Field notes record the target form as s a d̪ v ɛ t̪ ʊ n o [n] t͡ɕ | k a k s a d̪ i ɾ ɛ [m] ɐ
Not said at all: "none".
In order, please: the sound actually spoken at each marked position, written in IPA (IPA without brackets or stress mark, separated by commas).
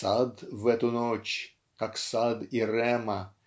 none, m